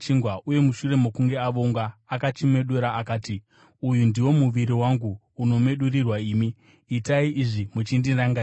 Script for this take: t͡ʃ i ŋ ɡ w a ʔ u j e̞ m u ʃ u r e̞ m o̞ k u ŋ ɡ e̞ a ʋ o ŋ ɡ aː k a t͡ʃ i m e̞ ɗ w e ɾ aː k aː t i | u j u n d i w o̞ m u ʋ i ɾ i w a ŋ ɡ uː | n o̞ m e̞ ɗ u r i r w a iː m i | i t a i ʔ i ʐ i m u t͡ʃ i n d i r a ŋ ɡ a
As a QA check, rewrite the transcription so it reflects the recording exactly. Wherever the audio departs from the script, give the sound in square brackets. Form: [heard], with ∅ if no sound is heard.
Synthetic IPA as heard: t͡ʃ i ŋ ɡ w a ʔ u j e̞ m u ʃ u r e̞ m o̞ k u ŋ ɡ e̞ a ʋ o ŋ ɡ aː k a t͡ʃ i m e̞ ɗ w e ɾ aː k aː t i | u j u n d i w o̞ m u ʋ i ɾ i w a ŋ ɡ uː | n o̞ m e̞ ɗ u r i r w a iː m i | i t a i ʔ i ʐ i m u t͡ʃ i n d i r a ŋ ɡ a